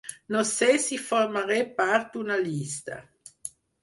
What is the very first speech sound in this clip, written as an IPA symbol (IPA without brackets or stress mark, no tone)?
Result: n